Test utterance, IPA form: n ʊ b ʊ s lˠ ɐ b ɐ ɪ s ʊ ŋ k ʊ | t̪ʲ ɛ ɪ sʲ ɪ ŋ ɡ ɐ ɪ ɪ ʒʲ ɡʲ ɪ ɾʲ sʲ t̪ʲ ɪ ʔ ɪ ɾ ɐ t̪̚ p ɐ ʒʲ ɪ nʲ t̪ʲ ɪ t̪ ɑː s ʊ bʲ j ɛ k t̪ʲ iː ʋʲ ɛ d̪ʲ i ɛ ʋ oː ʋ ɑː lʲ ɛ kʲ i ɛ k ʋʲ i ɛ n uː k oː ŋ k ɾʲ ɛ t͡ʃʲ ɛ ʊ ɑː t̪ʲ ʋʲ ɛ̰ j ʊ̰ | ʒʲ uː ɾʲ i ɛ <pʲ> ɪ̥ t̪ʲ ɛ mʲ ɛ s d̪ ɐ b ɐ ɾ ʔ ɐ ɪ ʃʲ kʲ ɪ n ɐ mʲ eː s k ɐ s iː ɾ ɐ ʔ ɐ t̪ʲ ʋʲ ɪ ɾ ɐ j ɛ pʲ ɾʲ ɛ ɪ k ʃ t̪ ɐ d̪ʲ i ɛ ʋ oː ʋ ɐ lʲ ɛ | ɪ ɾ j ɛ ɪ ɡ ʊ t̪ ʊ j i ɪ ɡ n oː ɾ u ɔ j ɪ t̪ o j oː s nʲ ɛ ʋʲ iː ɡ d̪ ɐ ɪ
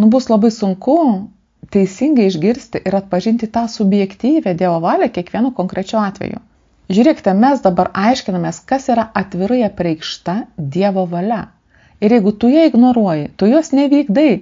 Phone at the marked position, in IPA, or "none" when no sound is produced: kʲ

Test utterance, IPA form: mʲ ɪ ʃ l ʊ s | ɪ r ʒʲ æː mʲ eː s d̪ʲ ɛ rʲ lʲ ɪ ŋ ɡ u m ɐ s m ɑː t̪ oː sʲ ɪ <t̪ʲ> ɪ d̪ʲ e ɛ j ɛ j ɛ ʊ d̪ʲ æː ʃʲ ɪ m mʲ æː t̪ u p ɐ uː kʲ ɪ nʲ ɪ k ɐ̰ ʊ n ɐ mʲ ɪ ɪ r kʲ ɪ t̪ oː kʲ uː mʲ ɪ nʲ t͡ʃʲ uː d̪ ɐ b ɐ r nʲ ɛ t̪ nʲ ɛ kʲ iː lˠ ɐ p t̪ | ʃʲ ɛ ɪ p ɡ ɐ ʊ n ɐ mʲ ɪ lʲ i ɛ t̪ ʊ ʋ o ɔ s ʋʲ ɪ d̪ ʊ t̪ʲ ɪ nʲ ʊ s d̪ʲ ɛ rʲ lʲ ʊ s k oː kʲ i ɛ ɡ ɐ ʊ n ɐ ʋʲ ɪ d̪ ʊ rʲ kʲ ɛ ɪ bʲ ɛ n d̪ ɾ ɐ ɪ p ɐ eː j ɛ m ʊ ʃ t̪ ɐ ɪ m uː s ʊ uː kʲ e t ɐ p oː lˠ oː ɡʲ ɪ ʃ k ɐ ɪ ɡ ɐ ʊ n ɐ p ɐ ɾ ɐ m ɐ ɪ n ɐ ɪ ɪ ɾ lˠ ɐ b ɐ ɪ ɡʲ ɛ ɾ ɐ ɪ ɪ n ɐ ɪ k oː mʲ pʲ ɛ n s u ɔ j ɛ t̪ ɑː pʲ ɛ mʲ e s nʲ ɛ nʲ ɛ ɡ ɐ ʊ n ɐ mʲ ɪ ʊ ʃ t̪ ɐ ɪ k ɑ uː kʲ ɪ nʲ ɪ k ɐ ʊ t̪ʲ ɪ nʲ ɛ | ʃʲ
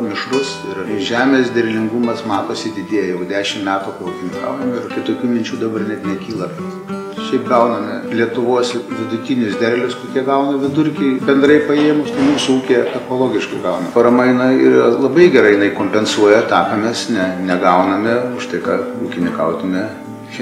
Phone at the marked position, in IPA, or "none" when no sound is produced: d̪ʲ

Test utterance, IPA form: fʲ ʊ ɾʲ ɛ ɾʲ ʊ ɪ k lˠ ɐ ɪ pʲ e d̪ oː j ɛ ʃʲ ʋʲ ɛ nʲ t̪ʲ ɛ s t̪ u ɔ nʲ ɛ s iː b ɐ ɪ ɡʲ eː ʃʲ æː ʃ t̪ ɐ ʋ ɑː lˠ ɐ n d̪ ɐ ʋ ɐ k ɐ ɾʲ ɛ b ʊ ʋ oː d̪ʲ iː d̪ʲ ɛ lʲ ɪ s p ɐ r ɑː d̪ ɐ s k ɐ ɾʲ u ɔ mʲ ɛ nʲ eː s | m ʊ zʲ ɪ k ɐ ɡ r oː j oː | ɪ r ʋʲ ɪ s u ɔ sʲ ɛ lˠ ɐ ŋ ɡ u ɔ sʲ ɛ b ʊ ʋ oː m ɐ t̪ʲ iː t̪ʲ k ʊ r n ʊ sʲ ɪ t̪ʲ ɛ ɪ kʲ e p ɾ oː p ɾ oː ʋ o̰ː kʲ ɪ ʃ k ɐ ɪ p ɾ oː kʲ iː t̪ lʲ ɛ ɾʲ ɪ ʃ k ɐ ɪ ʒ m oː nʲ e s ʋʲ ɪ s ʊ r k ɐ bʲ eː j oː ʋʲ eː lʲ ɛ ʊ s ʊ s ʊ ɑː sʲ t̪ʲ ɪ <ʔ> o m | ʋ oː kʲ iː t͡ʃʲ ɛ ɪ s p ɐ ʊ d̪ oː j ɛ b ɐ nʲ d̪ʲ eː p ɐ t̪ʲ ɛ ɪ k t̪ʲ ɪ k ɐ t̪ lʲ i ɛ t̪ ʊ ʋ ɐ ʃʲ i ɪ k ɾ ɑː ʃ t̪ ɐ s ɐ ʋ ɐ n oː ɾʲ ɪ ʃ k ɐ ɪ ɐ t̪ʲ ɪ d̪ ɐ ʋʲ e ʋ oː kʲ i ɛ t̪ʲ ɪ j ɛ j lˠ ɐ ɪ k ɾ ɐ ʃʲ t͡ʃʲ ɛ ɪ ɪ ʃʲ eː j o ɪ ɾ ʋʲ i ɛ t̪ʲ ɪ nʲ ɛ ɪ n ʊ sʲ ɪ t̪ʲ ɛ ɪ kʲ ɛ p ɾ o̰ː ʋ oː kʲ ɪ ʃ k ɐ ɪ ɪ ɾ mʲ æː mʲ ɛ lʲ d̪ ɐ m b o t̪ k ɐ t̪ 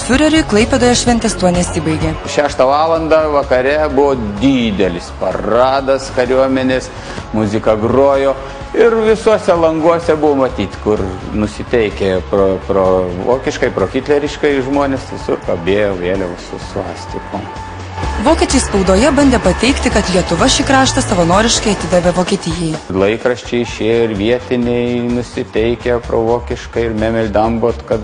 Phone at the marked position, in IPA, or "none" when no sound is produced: k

